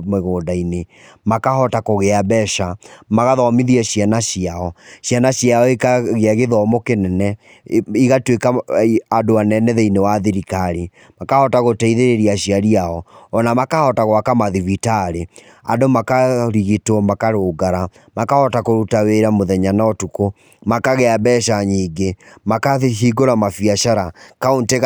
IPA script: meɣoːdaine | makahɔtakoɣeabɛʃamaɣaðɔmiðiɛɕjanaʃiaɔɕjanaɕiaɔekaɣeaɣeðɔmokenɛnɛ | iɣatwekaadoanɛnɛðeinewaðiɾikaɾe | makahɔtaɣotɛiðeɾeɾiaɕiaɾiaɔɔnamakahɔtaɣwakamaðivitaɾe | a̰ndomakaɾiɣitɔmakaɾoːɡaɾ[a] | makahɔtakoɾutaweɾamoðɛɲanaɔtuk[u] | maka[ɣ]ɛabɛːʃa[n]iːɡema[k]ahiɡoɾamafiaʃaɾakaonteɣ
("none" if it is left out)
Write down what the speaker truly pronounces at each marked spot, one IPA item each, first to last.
a, o, ɣ, ɲ, k

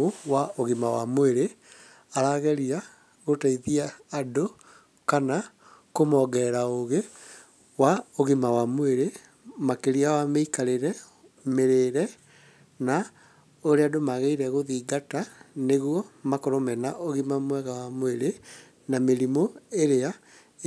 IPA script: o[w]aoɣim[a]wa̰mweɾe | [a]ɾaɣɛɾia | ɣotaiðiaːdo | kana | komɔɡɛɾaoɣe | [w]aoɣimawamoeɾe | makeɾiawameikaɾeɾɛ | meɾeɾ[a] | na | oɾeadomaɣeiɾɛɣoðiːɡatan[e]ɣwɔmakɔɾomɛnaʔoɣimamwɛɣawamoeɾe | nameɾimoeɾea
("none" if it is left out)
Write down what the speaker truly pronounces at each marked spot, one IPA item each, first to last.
w, a, a, w, ɛ, e

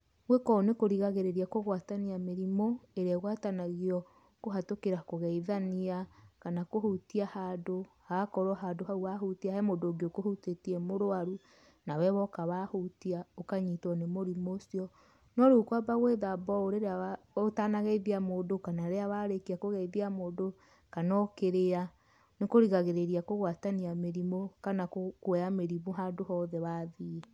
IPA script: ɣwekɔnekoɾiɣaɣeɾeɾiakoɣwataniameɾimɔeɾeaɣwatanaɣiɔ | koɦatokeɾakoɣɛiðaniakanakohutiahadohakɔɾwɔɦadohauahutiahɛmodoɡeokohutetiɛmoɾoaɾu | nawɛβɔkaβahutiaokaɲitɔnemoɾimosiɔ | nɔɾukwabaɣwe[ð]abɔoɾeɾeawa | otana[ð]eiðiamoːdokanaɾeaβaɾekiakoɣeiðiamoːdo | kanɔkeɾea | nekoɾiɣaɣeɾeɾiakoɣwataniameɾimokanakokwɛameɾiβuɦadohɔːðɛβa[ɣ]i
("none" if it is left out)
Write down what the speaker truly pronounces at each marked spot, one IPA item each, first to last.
ð, ɣ, ð

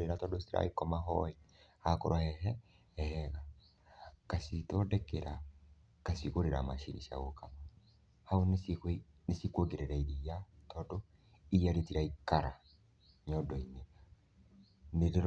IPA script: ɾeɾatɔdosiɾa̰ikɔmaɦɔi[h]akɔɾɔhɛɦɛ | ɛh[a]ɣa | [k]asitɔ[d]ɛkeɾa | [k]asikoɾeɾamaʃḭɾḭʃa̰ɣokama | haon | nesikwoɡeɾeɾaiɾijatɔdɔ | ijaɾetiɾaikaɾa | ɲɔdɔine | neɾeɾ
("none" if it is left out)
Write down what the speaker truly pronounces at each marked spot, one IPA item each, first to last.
h, ɛ, k, d, k

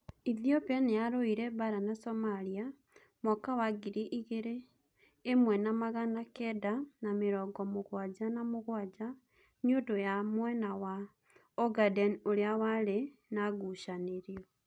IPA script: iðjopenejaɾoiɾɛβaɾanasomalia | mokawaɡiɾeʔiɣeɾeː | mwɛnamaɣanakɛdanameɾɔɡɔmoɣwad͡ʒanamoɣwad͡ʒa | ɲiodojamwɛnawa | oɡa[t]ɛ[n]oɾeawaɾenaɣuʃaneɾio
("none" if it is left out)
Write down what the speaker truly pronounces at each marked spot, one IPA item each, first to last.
d, n

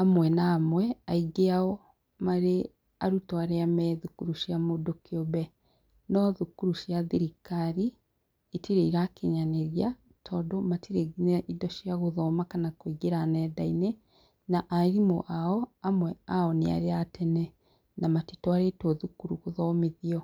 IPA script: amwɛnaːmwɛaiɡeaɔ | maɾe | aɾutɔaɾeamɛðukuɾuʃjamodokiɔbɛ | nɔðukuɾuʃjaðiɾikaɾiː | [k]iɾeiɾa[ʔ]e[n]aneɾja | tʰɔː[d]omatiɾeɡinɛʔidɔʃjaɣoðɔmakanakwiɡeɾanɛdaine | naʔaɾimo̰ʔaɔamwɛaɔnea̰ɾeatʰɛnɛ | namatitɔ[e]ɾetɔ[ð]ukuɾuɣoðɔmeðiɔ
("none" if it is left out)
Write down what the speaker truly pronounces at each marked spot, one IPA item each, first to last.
t, k, ɲ, d, a, ð

